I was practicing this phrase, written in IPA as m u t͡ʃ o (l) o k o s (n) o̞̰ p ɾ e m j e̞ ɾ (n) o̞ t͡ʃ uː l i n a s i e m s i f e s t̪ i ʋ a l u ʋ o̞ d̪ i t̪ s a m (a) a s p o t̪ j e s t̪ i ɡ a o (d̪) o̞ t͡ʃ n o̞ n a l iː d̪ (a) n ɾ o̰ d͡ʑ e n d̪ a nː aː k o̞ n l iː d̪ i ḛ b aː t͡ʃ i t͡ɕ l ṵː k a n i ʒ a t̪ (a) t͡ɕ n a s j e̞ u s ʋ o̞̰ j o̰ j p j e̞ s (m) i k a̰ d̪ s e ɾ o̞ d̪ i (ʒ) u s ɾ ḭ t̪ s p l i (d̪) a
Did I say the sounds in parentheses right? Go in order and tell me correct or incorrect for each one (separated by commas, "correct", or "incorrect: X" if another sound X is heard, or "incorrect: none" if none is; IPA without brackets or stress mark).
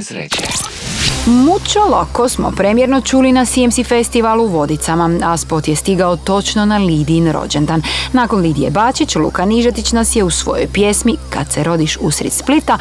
correct, incorrect: m, correct, correct, incorrect: t̪, incorrect: i, incorrect: i, correct, incorrect: ʃ, incorrect: t̪